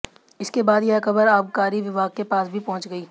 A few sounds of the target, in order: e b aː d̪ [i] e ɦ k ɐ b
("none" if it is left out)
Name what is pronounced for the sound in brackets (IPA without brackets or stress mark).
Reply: j